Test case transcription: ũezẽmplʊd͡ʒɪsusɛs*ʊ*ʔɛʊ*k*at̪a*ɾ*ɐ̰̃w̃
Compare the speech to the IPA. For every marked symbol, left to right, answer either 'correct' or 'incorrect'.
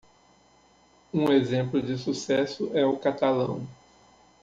correct, correct, incorrect: l

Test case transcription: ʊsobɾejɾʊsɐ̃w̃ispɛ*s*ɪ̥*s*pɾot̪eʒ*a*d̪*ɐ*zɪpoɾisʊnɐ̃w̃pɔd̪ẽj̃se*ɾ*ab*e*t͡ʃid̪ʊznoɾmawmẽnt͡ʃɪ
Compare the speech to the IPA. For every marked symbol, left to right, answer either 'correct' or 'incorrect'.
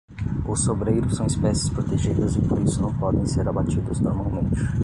correct, correct, incorrect: i, correct, correct, incorrect: a

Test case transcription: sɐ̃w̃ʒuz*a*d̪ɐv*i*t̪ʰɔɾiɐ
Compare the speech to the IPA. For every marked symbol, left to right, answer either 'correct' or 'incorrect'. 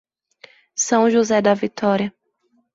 incorrect: ɛ, correct

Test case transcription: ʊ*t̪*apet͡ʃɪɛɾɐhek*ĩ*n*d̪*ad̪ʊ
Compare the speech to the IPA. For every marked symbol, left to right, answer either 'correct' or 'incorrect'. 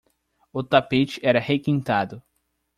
correct, correct, incorrect: t̪

